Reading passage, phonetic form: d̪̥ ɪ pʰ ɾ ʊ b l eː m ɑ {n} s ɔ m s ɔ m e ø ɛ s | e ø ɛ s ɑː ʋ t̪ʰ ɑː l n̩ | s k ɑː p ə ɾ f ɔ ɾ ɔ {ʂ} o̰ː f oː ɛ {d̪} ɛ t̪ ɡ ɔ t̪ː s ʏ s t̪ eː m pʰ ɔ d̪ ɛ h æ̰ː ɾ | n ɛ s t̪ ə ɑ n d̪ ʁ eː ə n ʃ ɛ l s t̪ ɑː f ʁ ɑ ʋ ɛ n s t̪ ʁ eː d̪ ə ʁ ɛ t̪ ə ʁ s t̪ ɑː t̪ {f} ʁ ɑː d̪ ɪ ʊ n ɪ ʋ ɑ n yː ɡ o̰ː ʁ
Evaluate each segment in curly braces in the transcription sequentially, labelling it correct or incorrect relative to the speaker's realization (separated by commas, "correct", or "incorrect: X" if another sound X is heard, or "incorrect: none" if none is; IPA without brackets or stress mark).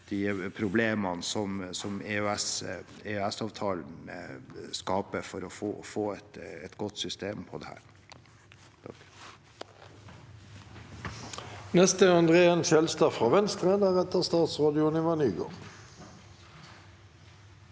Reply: correct, incorrect: f, incorrect: t̪, incorrect: s